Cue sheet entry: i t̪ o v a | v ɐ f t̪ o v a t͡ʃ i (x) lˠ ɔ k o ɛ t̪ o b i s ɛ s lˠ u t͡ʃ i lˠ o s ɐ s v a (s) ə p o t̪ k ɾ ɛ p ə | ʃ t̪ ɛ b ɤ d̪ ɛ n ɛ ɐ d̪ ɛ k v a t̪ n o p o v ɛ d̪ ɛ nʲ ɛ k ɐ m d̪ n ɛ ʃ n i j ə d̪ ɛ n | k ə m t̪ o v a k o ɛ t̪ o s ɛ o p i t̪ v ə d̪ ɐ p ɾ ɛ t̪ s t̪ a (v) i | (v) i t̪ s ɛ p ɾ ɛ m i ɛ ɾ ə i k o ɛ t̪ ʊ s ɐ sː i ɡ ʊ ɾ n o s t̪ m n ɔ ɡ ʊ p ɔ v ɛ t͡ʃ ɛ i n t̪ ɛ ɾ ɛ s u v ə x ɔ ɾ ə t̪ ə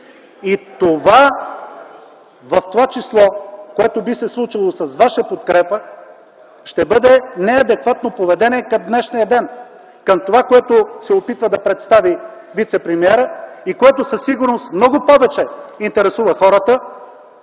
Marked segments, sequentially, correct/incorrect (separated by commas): incorrect, incorrect, correct, correct